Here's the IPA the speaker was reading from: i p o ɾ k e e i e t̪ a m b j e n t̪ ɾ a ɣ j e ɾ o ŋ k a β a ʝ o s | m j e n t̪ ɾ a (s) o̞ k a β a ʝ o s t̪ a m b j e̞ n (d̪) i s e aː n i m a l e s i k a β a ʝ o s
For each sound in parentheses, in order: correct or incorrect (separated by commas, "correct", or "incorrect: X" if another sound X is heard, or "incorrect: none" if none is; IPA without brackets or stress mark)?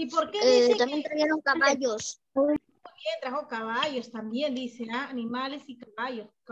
incorrect: x, correct